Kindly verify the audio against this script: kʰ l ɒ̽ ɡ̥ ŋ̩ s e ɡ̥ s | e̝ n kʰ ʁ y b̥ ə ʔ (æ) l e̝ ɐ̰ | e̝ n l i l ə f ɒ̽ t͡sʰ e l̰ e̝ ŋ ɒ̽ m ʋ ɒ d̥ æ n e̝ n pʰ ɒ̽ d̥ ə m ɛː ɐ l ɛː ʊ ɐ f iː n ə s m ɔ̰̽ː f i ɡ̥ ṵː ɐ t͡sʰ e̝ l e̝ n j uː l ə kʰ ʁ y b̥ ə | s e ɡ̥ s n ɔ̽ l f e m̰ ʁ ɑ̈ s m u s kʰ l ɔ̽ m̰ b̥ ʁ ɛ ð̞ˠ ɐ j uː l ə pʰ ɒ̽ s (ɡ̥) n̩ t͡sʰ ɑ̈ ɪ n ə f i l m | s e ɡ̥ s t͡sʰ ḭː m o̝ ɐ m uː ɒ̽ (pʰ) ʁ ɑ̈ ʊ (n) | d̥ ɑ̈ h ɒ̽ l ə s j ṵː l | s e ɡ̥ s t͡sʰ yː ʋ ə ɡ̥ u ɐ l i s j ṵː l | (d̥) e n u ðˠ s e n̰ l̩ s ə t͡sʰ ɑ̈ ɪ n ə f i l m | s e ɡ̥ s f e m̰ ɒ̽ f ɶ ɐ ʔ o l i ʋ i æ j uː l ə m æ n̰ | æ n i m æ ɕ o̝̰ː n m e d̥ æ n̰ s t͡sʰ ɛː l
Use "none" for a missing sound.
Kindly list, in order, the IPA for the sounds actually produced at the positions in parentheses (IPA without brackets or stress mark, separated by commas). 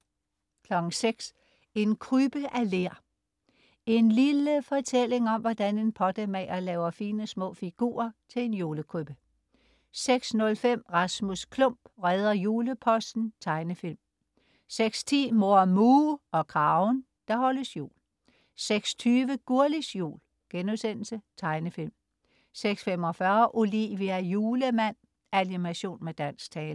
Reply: æ, d̥, kʰ, n, ɡ̥